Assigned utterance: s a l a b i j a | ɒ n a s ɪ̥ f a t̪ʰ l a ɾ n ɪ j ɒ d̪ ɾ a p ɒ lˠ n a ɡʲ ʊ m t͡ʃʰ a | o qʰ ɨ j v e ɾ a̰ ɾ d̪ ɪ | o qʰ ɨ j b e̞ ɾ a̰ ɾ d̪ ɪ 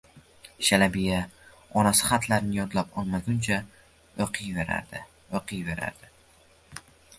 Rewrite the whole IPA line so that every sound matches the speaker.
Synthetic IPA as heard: ʃ a l a b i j a | ɒ n a s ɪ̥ χ a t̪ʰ l a ɾ n ɪ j ɒ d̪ l a p ɒ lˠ m a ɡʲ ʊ n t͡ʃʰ a | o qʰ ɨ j v e ɾ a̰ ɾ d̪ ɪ | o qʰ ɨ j v e̞ ɾ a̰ ɾ d̪ ɪ